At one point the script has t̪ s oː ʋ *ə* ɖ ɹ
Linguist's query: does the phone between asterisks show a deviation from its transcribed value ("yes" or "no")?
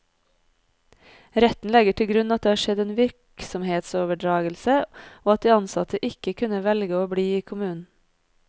no